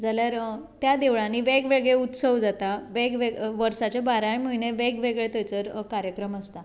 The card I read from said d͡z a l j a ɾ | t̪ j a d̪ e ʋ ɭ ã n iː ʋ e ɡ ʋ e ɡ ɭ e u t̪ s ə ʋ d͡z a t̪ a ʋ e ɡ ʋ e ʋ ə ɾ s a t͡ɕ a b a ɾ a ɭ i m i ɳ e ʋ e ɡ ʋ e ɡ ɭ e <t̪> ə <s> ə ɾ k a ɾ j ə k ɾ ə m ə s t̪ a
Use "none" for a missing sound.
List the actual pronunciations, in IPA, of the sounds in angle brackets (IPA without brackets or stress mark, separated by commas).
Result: t̪, t͡s